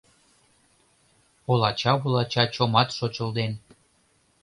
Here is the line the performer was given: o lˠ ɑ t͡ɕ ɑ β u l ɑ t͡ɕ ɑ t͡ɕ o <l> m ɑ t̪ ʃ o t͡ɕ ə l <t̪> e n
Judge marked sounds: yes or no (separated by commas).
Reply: no, no